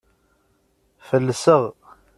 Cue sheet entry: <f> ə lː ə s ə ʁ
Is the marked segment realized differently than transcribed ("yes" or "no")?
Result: no